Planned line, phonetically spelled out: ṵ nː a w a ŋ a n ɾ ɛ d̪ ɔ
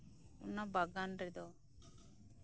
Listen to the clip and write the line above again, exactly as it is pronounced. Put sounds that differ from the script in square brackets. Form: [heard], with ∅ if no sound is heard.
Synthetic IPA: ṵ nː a [b] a [ɡ] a n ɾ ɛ d̪ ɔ